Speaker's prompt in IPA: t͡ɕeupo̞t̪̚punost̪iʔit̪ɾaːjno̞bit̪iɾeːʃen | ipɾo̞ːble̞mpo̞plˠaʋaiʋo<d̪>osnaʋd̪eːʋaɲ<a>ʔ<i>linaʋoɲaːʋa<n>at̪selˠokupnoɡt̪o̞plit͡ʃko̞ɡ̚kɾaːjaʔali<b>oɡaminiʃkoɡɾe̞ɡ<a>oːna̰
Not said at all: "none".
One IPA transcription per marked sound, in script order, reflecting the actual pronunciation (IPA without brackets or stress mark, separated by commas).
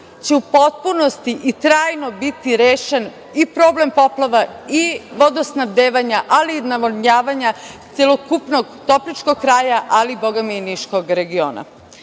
d̪, a, a, ɲ, b, i